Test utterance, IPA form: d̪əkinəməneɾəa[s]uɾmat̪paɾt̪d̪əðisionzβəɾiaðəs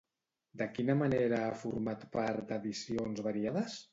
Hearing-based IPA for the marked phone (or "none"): f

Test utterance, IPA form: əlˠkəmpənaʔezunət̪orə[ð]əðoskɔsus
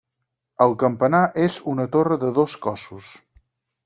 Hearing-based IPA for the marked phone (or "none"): ð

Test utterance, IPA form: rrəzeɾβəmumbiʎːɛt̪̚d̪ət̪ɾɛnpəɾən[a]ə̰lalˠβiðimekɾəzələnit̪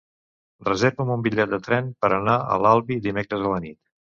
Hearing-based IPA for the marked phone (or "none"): a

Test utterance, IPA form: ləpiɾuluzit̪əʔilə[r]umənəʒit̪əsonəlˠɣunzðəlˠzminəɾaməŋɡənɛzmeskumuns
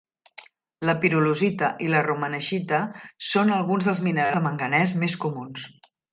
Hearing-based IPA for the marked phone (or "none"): r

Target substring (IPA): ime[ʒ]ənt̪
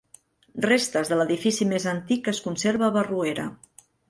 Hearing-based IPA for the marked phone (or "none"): z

